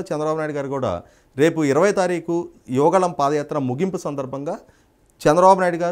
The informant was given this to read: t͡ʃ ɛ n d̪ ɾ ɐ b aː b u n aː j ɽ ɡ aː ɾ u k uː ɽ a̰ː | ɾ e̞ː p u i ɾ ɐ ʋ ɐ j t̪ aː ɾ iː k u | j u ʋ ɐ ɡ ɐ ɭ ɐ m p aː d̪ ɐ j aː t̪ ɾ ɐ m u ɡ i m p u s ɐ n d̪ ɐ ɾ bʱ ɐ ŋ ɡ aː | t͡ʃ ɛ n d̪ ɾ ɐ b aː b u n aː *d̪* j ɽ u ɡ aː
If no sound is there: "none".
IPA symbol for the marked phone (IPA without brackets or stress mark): none